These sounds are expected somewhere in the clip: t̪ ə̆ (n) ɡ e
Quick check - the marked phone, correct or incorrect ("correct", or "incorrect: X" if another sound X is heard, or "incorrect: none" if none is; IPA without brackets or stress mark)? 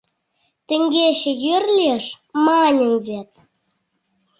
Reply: incorrect: ŋ